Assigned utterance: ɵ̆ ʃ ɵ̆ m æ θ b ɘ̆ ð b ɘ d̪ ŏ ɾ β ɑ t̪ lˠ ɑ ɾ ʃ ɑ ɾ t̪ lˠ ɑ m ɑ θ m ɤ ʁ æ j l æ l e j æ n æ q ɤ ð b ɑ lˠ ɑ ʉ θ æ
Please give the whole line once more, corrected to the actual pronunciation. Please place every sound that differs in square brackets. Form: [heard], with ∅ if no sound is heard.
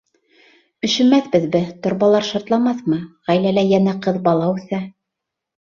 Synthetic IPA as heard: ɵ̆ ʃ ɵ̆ m æ θ b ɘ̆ ð b ɘ [t̪] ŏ ɾ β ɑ [∅] lˠ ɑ ɾ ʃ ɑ ɾ t̪ lˠ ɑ m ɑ θ m ɤ ʁ æ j l æ l [æ] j æ n æ q ɤ ð b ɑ lˠ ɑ ʉ θ æ